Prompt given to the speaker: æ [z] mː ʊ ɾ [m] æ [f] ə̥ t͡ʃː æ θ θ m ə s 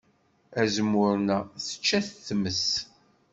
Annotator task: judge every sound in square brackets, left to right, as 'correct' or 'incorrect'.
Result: correct, incorrect: n, incorrect: θ

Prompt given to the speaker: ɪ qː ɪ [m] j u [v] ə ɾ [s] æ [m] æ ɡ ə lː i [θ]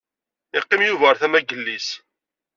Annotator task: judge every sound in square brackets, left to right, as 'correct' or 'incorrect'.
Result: correct, correct, incorrect: θ, correct, incorrect: s

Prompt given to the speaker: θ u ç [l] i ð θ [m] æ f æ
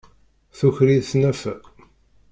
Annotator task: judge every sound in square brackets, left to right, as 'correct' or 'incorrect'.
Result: incorrect: ɾ, incorrect: n

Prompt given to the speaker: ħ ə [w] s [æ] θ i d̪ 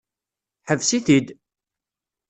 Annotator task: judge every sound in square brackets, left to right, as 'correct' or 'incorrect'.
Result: incorrect: v, incorrect: i

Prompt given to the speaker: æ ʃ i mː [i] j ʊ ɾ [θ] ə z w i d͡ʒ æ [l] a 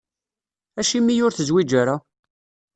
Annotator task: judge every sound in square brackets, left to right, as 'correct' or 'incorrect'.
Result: correct, correct, incorrect: ɾ

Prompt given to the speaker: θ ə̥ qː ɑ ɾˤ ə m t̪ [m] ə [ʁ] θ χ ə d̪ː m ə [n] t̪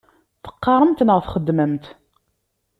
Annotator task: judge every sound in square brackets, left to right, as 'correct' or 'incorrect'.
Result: incorrect: n, correct, incorrect: m

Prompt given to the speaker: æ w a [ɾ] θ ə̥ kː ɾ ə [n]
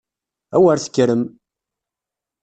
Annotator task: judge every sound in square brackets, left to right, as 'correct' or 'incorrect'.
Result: correct, incorrect: m

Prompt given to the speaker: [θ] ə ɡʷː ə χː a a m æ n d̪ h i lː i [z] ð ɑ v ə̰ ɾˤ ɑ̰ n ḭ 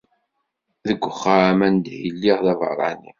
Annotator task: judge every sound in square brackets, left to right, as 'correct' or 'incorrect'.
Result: incorrect: ð, incorrect: ʁ

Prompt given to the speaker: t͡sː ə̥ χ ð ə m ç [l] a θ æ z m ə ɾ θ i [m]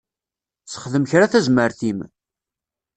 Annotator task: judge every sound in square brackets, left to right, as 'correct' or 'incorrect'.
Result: incorrect: ɾ, correct

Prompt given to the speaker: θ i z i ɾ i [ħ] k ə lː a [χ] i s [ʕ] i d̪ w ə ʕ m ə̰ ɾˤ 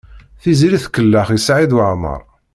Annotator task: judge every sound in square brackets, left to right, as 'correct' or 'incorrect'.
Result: incorrect: θ, correct, correct

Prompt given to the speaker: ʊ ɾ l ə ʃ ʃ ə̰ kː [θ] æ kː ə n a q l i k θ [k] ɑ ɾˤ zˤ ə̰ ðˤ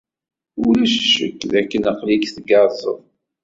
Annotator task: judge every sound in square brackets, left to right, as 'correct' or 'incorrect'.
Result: incorrect: ð, incorrect: ɡ

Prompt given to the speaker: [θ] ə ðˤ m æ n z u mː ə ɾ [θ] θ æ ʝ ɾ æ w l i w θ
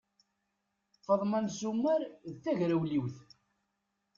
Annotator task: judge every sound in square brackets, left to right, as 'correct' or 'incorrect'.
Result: incorrect: f, incorrect: ð

